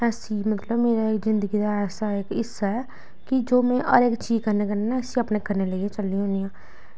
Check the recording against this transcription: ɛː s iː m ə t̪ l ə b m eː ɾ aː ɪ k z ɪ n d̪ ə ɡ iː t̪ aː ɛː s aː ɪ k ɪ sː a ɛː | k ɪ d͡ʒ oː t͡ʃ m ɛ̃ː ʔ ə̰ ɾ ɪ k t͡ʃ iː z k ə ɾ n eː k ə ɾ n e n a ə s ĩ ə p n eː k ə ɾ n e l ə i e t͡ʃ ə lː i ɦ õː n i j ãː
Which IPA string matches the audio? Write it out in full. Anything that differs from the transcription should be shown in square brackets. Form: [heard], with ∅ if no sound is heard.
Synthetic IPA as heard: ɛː s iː m ə t̪ l ə b m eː ɾ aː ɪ k z ɪ n d̪ ə ɡ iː [d̪] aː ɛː s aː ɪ k ɪ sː a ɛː | k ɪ d͡ʒ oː [∅] m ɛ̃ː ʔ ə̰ ɾ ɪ k t͡ʃ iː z k ə ɾ n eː k ə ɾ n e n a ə s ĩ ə p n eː k ə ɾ n e l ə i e t͡ʃ ə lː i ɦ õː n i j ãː

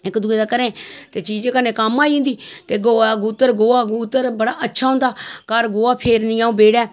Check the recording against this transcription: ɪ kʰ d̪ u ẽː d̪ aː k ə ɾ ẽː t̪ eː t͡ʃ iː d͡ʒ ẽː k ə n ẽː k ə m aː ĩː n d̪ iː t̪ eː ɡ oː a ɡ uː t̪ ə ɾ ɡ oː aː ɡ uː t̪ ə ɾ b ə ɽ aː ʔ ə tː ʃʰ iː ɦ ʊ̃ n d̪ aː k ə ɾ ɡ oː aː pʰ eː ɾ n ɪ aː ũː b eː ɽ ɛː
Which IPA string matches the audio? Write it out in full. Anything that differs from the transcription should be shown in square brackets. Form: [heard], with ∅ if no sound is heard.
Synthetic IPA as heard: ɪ [k] d̪ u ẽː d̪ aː k ə ɾ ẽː t̪ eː t͡ʃ iː d͡ʒ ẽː k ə n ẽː k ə m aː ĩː n d̪ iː t̪ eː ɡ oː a ɡ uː t̪ ə ɾ ɡ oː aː ɡ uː t̪ ə ɾ b ə ɽ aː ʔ ə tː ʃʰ [aː] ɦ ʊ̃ n d̪ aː k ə ɾ ɡ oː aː pʰ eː ɾ n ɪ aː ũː b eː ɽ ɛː

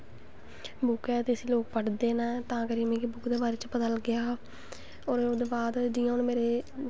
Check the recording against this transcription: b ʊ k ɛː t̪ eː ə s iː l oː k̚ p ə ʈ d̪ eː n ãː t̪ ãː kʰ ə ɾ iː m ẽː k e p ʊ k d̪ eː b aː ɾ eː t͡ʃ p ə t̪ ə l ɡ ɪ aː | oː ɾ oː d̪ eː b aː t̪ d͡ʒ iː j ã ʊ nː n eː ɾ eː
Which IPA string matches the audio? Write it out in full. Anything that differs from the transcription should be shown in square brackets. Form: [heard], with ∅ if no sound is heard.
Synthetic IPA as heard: b ʊ k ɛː t̪ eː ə s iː l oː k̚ p ə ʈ d̪ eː n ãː t̪ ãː [k] ə ɾ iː m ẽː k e [b] ʊ k d̪ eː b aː ɾ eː t͡ʃ p ə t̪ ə l ɡ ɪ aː | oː ɾ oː d̪ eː b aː [d̪] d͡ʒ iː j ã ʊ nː [m] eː ɾ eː

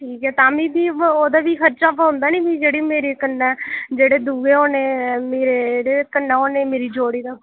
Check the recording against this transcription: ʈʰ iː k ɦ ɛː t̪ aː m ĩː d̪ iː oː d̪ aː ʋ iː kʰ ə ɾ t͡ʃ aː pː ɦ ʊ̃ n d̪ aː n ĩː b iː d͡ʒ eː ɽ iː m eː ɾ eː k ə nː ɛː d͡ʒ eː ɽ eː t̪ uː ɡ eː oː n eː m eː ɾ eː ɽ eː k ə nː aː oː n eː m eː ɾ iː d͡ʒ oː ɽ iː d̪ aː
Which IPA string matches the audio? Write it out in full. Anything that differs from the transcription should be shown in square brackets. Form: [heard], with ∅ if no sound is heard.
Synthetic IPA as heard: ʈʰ iː k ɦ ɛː t̪ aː m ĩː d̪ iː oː d̪ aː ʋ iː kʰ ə ɾ t͡ʃ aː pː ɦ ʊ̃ n d̪ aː n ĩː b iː d͡ʒ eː ɽ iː m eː ɾ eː k ə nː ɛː d͡ʒ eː ɽ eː [d̪] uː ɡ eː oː n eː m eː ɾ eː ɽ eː k ə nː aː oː n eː m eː ɾ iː d͡ʒ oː ɽ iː d̪ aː

